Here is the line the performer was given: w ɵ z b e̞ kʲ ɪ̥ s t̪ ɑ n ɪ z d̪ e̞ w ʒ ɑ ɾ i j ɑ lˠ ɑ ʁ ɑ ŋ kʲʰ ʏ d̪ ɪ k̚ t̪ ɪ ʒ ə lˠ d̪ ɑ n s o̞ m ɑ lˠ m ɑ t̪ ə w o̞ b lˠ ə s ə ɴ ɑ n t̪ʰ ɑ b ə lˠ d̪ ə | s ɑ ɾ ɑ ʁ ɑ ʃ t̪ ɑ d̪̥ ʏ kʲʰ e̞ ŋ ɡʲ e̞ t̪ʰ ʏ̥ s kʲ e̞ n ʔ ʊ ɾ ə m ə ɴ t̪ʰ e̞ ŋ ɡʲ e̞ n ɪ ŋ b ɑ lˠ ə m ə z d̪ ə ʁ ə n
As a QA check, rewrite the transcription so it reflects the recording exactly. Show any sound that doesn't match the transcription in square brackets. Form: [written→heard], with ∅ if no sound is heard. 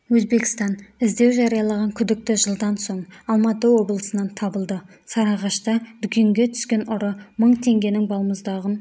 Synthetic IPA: w ɵ z b e̞ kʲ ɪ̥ s t̪ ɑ n ɪ z d̪ e̞ w ʒ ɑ ɾ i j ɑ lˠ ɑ ʁ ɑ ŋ kʲʰ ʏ d̪ ɪ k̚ t̪ ɪ ʒ ə lˠ d̪ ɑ n s o̞ [m→ɴ] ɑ lˠ m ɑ t̪ ə w o̞ b lˠ ə s ə [ɴ→n] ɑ n t̪ʰ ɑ b ə lˠ d̪ ə | s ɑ ɾ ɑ ʁ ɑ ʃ t̪ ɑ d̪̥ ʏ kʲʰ e̞ ŋ ɡʲ e̞ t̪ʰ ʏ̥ s kʲ e̞ n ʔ ʊ ɾ ə m ə ɴ t̪ʰ e̞ ŋ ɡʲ e̞ n ɪ ŋ b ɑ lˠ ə m ə z d̪ [ə→ɑ] ʁ ə n